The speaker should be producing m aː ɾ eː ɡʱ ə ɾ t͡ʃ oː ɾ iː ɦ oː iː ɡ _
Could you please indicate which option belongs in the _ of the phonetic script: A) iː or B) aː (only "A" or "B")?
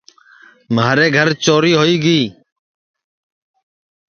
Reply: A